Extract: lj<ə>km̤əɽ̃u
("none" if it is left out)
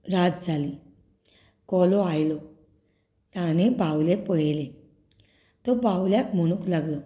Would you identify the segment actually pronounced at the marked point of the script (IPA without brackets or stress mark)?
a